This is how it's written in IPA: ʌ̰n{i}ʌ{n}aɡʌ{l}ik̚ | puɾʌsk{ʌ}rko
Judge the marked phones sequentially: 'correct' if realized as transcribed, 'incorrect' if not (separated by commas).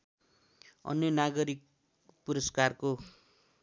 incorrect, correct, incorrect, incorrect